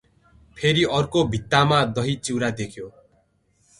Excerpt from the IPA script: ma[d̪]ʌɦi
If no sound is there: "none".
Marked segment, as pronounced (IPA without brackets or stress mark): d̪